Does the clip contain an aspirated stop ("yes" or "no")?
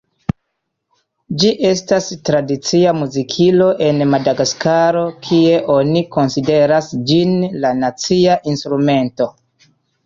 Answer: yes